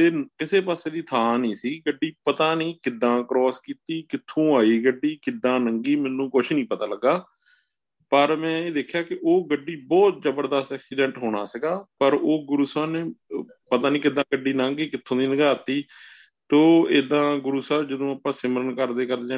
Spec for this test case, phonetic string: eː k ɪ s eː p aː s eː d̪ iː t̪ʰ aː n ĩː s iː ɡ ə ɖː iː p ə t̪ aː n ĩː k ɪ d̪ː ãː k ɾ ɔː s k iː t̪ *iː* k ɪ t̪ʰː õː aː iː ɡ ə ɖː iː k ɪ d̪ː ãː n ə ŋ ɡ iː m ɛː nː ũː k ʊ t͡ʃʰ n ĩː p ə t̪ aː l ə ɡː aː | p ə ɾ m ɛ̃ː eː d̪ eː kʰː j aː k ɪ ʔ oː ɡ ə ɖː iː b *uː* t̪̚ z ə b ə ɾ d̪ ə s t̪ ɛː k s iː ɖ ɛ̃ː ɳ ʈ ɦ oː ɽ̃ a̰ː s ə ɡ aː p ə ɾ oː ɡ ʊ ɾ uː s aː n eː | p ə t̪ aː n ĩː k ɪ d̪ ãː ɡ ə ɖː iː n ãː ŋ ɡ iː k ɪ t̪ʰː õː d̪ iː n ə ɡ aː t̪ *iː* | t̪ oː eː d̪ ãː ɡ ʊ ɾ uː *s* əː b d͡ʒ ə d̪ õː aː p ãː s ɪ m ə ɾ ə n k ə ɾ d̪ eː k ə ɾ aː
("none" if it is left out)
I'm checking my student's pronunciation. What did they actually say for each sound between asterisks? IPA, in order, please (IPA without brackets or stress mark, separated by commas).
iː, ɔː, iː, s